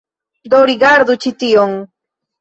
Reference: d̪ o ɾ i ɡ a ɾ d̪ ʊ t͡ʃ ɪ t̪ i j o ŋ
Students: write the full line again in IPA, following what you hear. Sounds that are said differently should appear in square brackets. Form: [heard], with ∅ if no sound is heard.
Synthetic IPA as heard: d̪ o ɾ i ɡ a ɾ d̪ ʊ t͡ʃ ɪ t̪ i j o ŋ